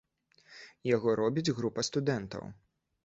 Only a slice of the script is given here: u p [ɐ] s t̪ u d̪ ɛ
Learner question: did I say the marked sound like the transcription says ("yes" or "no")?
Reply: yes